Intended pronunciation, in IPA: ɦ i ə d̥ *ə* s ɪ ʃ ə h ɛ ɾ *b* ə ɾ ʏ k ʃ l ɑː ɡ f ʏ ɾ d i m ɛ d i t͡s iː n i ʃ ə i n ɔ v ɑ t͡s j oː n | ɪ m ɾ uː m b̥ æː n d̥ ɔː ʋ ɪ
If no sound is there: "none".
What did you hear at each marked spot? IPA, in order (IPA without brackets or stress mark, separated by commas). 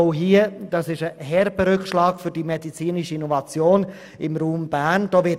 ɑ, b